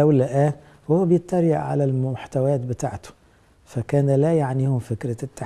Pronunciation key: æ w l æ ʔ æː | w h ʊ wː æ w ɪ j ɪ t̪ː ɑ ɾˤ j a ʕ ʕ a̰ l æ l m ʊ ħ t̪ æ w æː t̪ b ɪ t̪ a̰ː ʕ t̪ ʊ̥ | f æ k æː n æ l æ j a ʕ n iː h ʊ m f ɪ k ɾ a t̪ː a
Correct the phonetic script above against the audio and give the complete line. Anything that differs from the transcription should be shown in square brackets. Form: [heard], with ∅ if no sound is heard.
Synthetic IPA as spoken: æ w l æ ʔ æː | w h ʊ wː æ [b] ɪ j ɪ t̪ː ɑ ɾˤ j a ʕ ʕ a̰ l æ l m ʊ ħ t̪ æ w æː t̪ b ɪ t̪ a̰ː ʕ t̪ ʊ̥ | f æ k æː n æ l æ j a ʕ n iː h ʊ m f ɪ k ɾ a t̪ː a